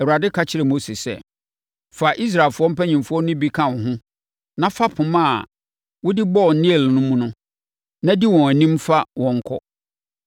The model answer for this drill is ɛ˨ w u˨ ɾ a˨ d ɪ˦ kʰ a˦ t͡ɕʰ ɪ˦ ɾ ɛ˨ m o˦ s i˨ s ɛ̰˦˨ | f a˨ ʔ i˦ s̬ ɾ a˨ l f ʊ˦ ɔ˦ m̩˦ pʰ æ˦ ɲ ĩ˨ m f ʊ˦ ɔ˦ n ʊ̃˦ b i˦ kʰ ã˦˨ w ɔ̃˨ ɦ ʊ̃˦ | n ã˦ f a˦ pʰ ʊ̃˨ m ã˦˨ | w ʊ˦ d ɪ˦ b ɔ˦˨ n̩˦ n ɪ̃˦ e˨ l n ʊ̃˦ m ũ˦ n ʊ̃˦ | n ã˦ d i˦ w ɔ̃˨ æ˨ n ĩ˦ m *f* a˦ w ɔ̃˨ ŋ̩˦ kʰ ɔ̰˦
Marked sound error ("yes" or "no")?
no